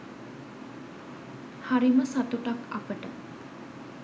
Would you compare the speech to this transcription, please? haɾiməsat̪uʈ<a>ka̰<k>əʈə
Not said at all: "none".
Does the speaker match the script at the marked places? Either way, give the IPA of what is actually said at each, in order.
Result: a, p

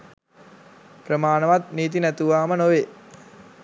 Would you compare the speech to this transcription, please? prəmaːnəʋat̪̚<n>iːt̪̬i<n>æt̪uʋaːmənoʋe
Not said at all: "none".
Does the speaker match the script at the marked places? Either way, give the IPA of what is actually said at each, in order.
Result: n, n

